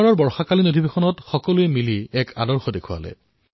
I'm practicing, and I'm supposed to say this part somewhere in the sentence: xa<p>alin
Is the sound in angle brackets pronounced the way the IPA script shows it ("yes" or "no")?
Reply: no